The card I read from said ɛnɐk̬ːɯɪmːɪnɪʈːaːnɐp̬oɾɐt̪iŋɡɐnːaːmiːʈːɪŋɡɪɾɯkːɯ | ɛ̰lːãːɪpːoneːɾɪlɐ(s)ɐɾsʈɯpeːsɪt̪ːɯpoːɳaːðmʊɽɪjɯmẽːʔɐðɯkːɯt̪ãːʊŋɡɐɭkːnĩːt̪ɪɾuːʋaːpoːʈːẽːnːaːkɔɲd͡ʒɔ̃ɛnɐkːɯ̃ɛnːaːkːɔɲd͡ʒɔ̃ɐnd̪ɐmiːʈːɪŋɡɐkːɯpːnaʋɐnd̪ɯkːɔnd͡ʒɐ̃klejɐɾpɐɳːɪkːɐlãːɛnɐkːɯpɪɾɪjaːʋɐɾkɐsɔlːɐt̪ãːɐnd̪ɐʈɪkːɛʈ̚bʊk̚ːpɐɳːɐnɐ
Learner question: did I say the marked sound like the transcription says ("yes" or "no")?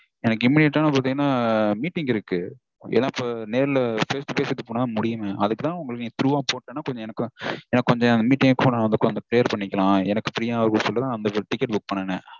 no